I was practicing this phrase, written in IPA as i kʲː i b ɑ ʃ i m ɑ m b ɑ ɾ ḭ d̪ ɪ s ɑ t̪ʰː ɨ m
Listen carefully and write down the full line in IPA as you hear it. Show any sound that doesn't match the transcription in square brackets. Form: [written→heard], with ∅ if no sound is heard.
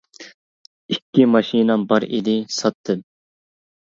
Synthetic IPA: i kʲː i [b→m] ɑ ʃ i [m→n] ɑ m b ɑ ɾ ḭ d̪ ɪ s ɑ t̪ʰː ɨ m